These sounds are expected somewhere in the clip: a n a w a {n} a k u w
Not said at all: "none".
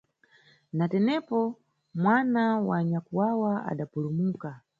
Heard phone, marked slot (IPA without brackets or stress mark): ɲ